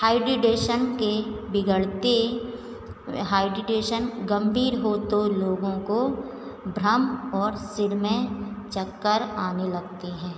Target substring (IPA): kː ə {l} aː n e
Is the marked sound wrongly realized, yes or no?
yes